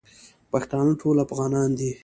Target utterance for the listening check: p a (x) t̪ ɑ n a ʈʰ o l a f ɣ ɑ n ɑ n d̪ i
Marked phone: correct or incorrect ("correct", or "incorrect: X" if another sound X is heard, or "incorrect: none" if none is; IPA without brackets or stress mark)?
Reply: correct